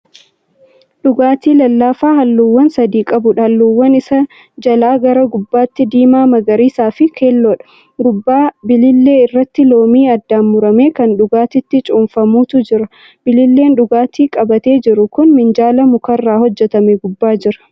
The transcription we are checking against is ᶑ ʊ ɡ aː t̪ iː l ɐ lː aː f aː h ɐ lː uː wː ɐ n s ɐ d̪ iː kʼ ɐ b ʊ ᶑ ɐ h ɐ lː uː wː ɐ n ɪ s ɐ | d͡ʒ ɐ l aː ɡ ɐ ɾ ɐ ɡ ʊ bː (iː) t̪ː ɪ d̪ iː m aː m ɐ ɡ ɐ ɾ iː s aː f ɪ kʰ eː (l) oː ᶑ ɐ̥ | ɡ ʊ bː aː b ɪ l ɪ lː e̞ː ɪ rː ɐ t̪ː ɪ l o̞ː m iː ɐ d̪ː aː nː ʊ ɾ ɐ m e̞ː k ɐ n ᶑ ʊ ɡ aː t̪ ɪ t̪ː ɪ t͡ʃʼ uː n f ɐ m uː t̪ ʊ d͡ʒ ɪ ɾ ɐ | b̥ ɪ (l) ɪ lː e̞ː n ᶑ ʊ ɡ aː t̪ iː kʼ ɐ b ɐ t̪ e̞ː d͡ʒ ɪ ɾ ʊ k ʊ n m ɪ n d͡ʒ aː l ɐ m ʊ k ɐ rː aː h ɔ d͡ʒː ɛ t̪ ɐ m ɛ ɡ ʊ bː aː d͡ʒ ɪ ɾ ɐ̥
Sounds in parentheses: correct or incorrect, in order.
incorrect, incorrect, correct

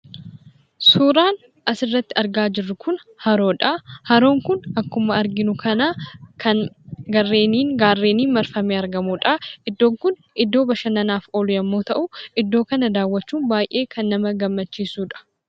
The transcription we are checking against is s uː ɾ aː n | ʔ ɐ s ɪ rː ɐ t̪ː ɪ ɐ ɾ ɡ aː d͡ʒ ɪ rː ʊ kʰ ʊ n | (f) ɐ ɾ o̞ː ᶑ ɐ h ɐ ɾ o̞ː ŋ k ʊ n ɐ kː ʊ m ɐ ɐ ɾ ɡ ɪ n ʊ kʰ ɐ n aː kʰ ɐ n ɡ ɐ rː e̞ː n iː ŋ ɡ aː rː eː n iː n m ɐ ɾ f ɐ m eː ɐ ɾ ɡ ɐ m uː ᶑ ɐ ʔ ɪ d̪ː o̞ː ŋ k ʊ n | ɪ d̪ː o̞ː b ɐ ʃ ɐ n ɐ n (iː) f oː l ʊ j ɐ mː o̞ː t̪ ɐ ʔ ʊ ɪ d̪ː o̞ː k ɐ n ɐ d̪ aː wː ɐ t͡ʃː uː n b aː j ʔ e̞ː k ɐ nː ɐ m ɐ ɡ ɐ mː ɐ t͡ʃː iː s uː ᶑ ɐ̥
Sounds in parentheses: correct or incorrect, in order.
incorrect, incorrect

